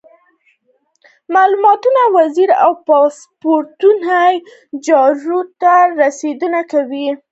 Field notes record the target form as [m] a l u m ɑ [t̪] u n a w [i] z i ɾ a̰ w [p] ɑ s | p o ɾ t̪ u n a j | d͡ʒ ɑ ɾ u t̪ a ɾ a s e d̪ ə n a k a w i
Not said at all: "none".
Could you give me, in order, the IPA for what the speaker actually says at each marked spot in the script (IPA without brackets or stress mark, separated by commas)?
m, t̪, a, p